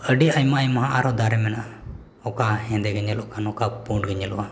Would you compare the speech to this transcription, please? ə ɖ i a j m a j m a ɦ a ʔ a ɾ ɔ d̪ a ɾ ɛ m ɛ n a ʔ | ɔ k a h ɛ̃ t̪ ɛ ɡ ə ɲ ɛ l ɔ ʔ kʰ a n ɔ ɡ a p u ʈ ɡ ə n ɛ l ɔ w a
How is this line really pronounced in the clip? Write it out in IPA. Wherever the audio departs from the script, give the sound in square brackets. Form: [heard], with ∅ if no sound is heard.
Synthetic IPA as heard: ə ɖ i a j m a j m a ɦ a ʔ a ɾ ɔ d̪ a ɾ ɛ m ɛ n a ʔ | ɔ k a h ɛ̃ [d̪] ɛ ɡ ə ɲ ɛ l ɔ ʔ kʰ a n ɔ [k] a p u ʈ ɡ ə [ɲ] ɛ l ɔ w a